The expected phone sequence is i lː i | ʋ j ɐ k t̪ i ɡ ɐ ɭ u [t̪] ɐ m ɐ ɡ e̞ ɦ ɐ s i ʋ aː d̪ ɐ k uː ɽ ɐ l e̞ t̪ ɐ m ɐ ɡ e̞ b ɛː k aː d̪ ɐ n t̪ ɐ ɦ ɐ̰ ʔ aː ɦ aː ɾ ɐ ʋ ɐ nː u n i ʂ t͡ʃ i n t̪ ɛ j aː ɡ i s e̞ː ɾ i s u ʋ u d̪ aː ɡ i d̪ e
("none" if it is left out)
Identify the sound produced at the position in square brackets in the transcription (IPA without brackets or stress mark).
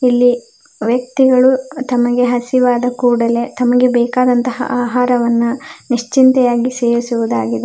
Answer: t̪